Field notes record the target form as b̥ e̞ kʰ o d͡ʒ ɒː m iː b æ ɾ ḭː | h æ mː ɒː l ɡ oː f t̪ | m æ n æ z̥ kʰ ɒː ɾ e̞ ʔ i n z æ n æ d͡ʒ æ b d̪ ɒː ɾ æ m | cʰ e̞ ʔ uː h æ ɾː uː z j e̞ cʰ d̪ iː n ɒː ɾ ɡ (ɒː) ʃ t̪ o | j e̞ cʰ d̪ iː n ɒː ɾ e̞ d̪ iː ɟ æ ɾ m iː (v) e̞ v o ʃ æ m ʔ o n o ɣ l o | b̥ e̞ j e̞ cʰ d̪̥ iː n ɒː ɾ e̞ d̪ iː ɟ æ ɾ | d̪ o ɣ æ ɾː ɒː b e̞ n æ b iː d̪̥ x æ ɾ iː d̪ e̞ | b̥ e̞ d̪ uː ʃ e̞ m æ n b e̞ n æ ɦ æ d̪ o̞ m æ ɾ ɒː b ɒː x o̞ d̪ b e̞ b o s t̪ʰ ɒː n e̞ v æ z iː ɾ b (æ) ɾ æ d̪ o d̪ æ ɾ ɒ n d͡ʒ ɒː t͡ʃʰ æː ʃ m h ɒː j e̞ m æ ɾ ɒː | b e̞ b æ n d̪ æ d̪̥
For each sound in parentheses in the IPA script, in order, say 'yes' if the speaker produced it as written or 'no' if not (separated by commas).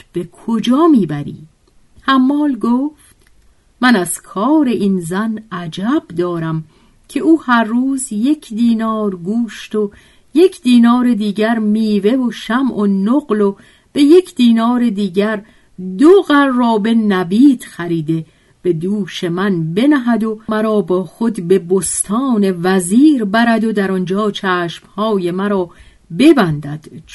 no, yes, yes